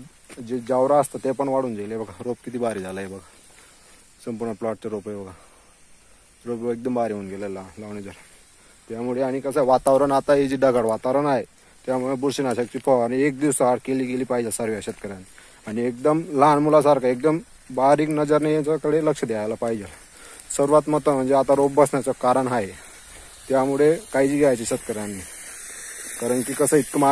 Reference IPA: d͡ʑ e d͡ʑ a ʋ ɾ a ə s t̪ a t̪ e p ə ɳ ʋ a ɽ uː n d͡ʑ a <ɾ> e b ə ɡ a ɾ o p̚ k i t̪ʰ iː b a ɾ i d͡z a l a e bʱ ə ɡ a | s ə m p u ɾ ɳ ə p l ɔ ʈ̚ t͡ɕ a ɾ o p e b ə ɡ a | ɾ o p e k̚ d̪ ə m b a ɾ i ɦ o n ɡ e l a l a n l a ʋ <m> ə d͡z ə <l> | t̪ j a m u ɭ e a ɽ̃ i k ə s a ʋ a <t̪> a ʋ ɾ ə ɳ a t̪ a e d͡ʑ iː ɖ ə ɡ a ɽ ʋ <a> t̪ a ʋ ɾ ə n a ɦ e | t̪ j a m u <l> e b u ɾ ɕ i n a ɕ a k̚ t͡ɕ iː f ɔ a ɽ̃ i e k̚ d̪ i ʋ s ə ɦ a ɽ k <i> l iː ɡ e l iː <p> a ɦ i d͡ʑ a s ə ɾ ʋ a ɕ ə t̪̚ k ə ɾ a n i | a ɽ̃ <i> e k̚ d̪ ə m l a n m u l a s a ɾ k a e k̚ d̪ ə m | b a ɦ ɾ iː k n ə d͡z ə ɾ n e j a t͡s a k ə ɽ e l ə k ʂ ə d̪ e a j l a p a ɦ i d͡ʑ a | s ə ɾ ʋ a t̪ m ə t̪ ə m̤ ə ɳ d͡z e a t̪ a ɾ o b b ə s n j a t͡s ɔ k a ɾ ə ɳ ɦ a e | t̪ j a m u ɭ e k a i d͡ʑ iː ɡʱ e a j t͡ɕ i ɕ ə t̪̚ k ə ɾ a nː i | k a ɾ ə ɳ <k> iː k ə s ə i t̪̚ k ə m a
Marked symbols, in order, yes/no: no, no, no, yes, yes, no, no, yes, yes, yes

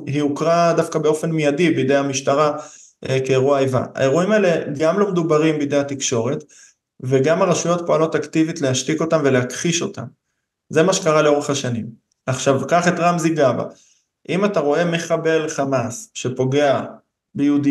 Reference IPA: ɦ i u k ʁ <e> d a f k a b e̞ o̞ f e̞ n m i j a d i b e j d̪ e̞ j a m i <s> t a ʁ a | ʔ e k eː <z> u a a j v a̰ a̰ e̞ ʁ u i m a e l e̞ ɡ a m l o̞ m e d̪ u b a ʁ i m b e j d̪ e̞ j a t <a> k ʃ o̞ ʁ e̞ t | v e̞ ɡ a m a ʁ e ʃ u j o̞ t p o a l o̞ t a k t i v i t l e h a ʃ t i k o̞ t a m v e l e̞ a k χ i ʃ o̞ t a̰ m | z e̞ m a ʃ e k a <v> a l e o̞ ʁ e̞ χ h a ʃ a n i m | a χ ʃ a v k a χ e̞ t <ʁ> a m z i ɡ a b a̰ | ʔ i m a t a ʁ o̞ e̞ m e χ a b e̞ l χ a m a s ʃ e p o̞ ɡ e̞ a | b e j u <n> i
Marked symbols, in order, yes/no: no, no, no, no, no, yes, no

